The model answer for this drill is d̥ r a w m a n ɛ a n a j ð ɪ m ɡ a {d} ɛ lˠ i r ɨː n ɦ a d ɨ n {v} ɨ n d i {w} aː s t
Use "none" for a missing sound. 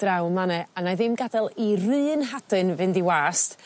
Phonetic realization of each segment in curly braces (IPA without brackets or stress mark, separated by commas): d, v, w